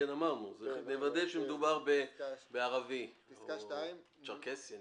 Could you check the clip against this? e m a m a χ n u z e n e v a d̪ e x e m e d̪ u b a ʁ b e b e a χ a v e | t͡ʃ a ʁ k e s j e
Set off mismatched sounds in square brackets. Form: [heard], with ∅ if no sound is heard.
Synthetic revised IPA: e [n] a m a [ʁ] n u z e n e v a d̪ e [ʃ] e m e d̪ u b a ʁ b e b e a [ʁ] a v [i] | t͡ʃ a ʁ k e s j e